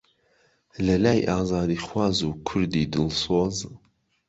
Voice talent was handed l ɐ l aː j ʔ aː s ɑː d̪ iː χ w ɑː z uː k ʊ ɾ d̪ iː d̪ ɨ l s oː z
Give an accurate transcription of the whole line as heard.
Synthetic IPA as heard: l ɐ l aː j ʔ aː z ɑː d̪ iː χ w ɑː z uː kʰ ʊ ɾ d̪ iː d̪ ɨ l s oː z